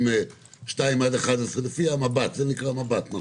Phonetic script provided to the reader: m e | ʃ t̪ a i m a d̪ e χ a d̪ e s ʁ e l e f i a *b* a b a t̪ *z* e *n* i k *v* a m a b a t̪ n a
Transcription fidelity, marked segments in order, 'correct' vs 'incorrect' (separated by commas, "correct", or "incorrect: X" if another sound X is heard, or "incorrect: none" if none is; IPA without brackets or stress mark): incorrect: m, correct, correct, incorrect: ʁ